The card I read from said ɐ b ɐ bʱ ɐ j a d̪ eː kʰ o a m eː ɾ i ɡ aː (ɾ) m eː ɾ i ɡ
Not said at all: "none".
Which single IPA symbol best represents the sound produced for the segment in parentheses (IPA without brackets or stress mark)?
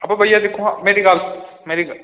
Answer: l